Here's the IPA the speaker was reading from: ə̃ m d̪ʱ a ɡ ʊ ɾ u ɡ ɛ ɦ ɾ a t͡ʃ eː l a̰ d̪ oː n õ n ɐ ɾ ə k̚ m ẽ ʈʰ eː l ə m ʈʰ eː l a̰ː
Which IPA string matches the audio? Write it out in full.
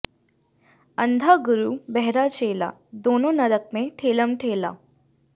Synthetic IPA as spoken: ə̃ n d̪ʱ a ɡ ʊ ɾ u b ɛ ɦ ɾ a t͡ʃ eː l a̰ d̪ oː n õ n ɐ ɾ ə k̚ m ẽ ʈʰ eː l ə m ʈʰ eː l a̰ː